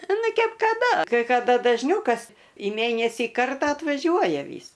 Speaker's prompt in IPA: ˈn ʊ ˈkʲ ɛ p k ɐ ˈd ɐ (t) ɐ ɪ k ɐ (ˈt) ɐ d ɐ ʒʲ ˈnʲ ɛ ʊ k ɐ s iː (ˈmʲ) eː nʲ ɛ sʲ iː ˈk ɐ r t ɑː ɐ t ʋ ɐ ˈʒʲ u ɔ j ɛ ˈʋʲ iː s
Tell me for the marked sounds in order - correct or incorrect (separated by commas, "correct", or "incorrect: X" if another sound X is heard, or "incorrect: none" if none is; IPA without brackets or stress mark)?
incorrect: k, incorrect: d, correct